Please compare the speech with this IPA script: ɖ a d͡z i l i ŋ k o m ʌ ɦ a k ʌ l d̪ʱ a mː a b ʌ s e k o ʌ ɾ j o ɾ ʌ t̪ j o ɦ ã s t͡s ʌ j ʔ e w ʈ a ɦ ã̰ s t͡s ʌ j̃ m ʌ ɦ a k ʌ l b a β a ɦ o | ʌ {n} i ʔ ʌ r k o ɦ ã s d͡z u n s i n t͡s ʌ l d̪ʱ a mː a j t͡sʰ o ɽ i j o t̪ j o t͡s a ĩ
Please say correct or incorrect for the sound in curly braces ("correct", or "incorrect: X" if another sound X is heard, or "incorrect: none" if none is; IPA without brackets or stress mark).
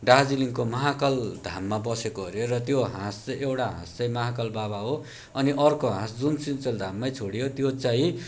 correct